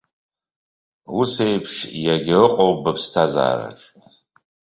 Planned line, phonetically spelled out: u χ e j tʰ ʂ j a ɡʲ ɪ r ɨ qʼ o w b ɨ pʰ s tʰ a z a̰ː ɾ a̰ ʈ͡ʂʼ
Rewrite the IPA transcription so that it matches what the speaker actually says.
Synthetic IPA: u s e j pʰ ʂ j a ɡʲ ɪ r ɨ qʼ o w b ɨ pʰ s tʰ a z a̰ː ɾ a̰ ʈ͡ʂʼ